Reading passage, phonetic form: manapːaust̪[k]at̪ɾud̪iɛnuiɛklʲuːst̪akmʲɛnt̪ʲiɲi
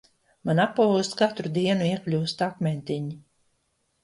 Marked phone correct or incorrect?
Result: correct